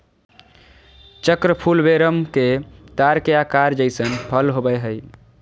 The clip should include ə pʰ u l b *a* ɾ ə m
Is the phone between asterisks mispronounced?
yes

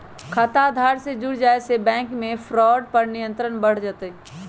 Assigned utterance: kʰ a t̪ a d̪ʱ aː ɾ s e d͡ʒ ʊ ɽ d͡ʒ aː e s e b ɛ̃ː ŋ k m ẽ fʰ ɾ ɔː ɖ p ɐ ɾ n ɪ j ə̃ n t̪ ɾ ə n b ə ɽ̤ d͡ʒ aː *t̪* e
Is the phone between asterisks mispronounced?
no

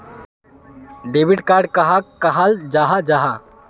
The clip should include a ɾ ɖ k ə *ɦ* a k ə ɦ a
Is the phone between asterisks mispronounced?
no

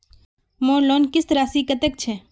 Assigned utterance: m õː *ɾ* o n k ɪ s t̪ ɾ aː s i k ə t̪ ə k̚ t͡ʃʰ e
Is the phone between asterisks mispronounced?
yes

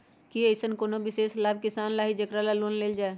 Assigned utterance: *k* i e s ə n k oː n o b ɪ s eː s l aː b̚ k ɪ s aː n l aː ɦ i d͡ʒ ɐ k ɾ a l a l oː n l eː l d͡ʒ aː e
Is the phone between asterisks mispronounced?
no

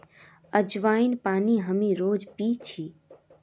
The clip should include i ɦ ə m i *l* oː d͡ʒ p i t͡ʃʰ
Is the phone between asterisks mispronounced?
yes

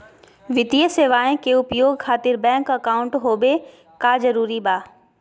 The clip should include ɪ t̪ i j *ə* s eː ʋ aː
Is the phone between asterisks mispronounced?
no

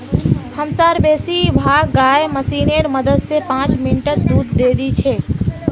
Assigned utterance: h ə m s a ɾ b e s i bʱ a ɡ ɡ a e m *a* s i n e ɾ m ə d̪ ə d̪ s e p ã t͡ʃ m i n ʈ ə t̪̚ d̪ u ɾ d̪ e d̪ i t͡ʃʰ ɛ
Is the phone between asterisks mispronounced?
yes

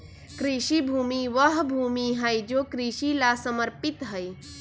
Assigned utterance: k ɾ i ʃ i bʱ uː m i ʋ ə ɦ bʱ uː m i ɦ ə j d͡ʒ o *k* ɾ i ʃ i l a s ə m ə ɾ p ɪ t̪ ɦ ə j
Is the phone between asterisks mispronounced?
no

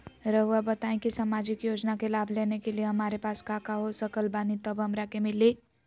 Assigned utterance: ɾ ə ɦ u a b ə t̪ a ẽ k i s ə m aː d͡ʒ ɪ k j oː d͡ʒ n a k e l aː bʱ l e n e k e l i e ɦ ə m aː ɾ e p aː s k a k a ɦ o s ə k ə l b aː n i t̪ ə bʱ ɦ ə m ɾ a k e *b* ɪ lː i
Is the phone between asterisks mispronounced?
yes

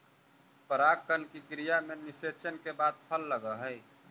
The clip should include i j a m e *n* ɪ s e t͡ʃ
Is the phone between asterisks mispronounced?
no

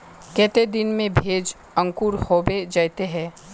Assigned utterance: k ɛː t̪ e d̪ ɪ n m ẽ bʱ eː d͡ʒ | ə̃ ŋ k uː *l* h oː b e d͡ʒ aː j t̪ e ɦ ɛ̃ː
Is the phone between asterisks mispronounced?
yes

